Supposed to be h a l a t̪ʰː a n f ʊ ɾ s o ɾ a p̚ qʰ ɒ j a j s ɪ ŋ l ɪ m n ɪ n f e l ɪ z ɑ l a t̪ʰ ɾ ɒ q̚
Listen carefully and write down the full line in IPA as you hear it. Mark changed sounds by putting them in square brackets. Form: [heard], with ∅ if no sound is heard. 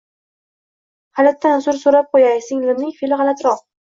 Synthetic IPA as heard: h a l a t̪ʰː a n [s] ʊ ɾ s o ɾ a p̚ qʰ [o] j a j s ɪ ŋ l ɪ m n ɪ [ŋ] f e l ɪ [ʁ] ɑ l a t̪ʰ ɾ ɒ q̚